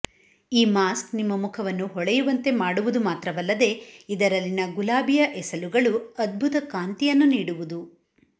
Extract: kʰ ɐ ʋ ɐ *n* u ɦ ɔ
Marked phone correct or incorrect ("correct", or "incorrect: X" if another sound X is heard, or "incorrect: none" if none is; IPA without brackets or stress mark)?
incorrect: nː